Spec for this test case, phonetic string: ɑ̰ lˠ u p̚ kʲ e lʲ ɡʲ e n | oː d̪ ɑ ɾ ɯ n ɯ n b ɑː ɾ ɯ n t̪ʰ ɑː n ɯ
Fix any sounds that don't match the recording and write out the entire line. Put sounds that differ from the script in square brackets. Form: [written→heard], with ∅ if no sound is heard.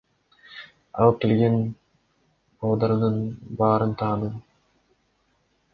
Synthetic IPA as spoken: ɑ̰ lˠ [u→ɯ] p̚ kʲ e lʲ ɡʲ e n | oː d̪ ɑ ɾ ɯ n ɯ n b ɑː ɾ ɯ n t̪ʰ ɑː n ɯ